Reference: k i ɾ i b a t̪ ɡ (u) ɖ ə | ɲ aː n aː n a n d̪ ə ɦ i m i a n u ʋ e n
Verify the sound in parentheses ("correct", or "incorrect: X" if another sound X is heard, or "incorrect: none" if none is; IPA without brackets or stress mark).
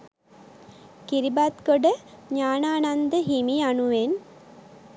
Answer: incorrect: o